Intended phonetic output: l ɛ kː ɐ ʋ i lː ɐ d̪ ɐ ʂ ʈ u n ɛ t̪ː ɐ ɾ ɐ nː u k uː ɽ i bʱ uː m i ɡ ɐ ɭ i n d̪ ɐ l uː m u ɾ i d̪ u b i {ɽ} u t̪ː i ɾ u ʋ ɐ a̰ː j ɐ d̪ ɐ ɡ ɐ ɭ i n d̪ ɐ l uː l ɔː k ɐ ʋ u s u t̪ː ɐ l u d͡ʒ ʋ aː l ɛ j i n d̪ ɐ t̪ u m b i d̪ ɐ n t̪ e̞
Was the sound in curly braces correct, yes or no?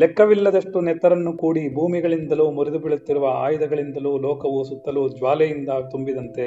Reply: no